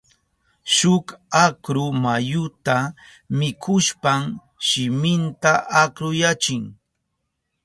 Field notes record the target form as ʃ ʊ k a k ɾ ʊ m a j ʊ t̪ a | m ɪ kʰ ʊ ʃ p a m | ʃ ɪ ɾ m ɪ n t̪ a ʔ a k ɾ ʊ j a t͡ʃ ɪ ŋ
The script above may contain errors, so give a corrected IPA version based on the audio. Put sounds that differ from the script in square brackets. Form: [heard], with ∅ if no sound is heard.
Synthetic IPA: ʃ ʊ k a k ɾ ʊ m a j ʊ t̪ a | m ɪ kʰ ʊ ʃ p a m | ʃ ɪ [∅] m ɪ n t̪ a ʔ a k ɾ ʊ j a t͡ʃ ɪ ŋ